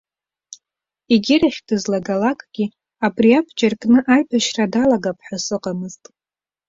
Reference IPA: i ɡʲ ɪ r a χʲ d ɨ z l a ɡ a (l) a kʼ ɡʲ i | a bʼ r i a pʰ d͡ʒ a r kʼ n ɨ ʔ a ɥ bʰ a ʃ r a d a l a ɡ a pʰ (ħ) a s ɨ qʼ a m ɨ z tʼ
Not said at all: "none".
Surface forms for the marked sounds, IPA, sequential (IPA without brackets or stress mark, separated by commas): l, ħ